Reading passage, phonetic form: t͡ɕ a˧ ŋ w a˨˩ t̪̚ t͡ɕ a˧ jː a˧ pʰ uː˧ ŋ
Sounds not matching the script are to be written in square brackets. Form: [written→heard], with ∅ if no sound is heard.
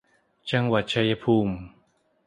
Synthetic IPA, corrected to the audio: t͡ɕ a˧ ŋ w a˨˩ t̪̚ [t͡ɕ→t͡ɕʰ] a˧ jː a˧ pʰ uː˧ [ŋ→m]

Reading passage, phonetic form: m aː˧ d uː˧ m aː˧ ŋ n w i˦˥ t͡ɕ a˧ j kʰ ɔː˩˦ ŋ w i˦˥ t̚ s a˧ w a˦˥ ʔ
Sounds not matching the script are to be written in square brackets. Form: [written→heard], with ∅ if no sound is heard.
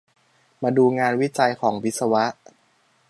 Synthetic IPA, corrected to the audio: m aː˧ d uː˧ [m→ŋ] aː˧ [ŋ→∅] n w i˦˥ t͡ɕ a˧ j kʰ ɔː˩˦ ŋ w i˦˥ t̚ s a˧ w a˦˥ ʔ

